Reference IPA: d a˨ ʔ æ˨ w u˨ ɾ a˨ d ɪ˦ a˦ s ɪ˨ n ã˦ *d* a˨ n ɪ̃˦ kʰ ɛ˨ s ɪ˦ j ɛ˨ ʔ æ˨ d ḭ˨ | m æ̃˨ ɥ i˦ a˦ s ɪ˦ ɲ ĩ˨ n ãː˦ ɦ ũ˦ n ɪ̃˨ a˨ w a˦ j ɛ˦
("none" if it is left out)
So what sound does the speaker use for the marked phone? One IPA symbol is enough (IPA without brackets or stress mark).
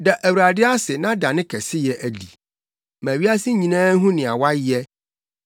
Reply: d